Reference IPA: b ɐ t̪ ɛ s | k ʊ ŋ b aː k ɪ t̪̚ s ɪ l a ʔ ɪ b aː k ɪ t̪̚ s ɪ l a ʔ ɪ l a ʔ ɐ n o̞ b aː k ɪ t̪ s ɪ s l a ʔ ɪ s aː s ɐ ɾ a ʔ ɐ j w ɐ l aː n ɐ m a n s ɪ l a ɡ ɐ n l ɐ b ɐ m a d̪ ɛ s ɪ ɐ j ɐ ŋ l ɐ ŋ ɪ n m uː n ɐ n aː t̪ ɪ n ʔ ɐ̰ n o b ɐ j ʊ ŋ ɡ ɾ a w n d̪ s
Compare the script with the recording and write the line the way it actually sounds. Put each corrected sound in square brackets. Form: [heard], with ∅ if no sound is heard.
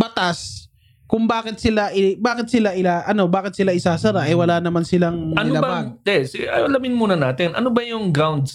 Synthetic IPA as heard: b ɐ t̪ [a] s | k ʊ ŋ b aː k ɪ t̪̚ s ɪ l a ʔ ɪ b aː k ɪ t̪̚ s ɪ l a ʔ ɪ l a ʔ ɐ n o̞ b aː k ɪ t̪ s ɪ [∅] l a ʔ ɪ s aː s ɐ ɾ a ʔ ɐ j w ɐ l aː n ɐ m a n s ɪ l a [ŋ] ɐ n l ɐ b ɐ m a d̪ ɛ s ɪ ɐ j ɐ [∅] l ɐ [m] ɪ n m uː n ɐ n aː t̪ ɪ n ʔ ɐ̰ n o b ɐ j ʊ ŋ ɡ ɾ a w n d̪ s